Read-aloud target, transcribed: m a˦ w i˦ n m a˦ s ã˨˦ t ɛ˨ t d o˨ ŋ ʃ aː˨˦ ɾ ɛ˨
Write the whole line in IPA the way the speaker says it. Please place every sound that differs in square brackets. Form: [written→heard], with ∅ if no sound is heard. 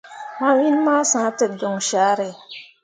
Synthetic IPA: m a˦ w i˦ n m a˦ s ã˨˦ t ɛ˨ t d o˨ ŋ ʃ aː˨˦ ɾ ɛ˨

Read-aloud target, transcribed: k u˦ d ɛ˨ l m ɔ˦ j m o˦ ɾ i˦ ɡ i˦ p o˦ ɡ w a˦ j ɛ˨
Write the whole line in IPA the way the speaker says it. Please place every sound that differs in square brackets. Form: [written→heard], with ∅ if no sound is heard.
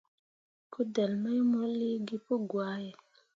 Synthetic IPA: k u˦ d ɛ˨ l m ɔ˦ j m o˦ [ɾ→l] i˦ ɡ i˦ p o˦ ɡ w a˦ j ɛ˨

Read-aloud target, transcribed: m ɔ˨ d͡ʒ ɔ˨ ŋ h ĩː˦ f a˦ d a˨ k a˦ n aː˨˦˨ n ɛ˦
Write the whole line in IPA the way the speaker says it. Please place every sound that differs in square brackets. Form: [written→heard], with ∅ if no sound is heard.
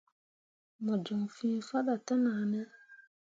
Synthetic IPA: m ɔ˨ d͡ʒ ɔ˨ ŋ [h→f] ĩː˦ f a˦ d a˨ [k→t] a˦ n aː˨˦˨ n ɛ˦

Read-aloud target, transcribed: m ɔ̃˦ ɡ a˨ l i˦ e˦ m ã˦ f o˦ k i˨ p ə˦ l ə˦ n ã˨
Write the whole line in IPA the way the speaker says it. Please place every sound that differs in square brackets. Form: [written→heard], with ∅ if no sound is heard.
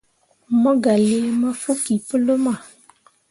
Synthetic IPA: m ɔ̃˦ ɡ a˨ l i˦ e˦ m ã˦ f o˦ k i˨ p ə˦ l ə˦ [n→m] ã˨

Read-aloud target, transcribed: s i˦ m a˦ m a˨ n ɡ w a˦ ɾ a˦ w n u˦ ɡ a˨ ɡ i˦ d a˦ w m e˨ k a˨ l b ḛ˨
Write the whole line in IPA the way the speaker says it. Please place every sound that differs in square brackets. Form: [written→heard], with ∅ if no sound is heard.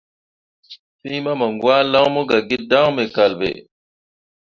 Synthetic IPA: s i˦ m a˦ m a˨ [n→ŋ] ɡ w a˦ [ɾ→l] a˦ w [n→m] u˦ ɡ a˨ ɡ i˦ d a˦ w m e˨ k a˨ l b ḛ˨

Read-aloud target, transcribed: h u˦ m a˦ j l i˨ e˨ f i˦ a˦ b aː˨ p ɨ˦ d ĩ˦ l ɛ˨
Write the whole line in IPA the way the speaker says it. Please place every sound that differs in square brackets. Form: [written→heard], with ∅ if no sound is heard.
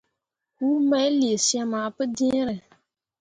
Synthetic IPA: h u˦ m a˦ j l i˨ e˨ [f→s] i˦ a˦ [b→m] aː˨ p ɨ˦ d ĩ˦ [l→ɾ] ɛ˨

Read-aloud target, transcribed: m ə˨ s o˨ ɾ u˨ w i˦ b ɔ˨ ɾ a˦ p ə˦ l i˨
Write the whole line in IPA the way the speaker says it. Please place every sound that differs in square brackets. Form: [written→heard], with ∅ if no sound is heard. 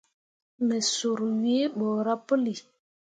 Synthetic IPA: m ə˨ s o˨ ɾ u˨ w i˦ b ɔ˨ ɾ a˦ p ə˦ l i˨

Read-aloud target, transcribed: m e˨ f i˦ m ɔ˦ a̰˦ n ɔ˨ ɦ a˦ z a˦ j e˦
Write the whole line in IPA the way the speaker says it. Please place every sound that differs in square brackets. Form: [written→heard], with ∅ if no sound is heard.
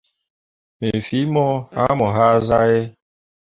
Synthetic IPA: m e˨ f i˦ m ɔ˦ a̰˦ [n→m] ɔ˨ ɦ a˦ z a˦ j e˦

